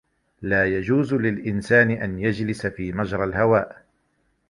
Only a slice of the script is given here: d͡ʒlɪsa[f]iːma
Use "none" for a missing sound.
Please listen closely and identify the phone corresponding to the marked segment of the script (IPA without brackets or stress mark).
f